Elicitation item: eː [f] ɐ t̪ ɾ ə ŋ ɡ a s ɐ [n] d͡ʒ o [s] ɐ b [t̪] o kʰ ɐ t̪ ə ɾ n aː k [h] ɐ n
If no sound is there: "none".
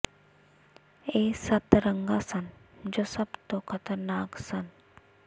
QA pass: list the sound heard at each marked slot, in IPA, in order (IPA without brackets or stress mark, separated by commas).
s, n, s, t̪, s